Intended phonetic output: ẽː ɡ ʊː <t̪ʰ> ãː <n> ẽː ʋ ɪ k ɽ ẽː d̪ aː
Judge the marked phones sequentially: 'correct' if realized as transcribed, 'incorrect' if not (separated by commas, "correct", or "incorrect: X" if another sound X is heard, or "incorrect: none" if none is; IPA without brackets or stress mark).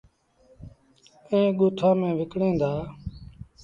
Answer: correct, incorrect: m